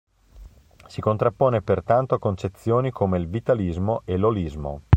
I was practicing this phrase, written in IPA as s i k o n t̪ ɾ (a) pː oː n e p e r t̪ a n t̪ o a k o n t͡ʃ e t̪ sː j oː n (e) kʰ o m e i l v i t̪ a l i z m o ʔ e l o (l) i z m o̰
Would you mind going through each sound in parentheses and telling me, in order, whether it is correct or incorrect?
correct, incorrect: i, correct

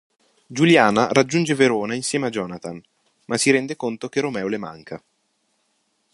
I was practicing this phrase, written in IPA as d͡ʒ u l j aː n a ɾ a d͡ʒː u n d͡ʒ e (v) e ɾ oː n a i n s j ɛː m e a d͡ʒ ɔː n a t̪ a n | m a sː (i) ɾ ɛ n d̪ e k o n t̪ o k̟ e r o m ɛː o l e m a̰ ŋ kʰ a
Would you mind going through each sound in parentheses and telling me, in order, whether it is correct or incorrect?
correct, correct

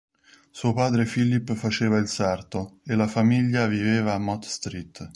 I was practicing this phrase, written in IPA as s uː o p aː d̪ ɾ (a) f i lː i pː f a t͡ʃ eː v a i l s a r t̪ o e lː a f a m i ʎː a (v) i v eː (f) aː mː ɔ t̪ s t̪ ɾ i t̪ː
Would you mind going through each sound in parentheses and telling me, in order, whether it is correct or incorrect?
incorrect: e, correct, incorrect: v

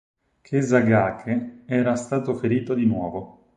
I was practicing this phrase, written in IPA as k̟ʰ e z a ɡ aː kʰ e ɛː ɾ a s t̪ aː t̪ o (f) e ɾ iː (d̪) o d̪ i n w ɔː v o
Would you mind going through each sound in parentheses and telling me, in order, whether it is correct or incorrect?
correct, incorrect: t̪

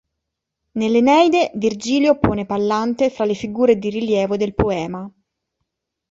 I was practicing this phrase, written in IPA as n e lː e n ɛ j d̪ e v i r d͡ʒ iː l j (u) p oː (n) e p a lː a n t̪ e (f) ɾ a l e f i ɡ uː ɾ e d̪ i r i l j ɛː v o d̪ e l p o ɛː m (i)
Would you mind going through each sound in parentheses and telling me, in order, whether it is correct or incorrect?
incorrect: o, correct, correct, incorrect: a

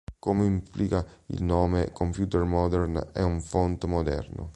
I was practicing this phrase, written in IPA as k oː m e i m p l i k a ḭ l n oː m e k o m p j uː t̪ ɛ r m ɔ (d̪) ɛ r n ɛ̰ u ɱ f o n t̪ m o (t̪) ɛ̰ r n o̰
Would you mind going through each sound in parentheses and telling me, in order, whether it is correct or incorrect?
correct, incorrect: d̪

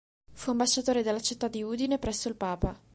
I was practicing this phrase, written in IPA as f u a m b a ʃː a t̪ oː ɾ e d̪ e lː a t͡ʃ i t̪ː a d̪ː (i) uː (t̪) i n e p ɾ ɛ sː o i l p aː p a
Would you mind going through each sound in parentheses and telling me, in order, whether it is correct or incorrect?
correct, incorrect: d̪

